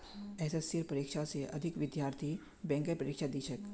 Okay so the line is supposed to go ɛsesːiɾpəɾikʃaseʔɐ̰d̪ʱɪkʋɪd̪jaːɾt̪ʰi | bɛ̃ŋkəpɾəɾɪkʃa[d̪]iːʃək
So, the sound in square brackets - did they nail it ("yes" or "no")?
yes